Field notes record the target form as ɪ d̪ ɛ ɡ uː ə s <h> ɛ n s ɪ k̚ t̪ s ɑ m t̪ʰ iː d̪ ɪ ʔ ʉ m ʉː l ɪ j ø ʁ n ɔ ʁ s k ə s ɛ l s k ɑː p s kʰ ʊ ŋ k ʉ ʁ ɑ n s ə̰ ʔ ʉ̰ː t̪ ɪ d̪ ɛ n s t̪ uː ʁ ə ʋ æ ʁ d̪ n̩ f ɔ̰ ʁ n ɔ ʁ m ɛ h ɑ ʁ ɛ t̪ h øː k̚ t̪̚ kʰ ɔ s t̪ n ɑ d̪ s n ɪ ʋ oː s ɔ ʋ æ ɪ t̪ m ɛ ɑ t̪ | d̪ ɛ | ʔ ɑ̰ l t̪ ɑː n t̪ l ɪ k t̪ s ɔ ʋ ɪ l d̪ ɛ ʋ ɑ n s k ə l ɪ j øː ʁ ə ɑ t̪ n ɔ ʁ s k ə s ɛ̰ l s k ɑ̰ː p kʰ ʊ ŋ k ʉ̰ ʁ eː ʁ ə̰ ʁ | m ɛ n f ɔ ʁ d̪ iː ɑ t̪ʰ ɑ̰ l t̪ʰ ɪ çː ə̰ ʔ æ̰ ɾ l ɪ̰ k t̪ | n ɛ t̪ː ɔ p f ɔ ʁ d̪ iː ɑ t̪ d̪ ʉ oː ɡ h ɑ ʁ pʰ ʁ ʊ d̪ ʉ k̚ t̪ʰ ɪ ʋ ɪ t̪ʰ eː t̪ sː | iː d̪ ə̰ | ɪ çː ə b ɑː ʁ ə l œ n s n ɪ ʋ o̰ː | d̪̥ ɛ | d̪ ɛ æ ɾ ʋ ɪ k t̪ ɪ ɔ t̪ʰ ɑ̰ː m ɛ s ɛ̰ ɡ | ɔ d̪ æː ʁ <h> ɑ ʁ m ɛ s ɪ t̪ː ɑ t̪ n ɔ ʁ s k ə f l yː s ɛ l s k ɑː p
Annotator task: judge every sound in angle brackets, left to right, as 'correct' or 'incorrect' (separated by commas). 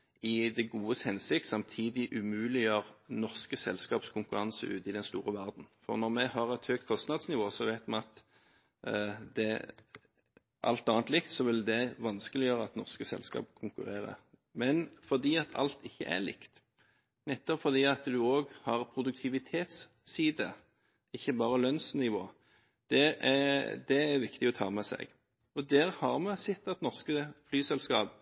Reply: correct, correct